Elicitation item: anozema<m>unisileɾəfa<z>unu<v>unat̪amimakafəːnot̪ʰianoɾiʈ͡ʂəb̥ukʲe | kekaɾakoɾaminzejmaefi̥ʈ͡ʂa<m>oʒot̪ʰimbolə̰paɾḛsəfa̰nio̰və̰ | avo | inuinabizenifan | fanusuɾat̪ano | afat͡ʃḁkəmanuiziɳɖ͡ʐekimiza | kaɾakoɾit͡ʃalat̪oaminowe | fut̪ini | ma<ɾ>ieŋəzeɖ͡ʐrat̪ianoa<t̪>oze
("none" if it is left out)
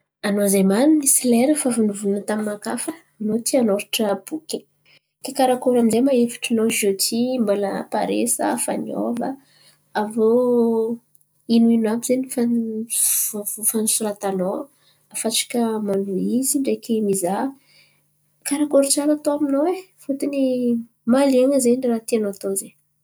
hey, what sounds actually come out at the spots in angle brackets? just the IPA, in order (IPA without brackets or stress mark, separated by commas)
n, v, v, n, l, t̪